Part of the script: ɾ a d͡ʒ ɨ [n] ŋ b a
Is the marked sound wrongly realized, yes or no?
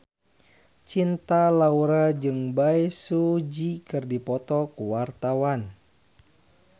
yes